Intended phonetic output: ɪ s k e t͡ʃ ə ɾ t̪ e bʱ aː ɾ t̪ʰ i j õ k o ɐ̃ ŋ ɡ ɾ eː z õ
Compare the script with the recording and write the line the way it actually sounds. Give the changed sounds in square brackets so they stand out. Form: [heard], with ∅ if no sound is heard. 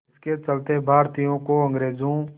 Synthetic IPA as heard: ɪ s k e t͡ʃ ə [l] t̪ e bʱ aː ɾ [t̪] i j õ k o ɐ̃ ŋ ɡ ɾ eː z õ